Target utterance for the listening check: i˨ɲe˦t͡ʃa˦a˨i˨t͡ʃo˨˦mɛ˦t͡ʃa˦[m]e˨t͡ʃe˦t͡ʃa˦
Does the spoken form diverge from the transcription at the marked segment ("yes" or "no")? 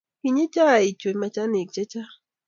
yes